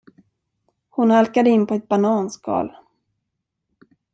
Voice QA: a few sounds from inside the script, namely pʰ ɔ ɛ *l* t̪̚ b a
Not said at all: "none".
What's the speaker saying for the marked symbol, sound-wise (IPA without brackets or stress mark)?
none